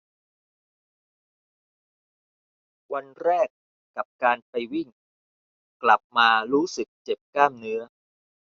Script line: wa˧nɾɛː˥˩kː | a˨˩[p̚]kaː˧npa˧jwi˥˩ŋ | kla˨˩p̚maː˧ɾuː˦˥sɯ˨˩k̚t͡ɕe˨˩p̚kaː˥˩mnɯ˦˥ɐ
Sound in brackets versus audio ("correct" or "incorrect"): correct